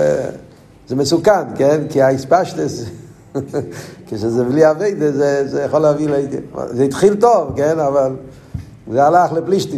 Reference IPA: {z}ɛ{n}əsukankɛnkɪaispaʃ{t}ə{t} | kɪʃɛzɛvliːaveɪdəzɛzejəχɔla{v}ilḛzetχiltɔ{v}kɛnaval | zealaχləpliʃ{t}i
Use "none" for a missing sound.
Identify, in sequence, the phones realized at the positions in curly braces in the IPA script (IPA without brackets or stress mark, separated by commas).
z, m, t, s, v, v, t